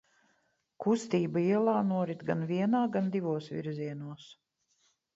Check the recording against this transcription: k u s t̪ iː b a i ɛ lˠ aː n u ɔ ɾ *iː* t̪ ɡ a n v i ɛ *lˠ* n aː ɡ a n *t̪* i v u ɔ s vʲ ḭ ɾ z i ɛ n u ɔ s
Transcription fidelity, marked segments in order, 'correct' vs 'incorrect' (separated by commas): incorrect, incorrect, incorrect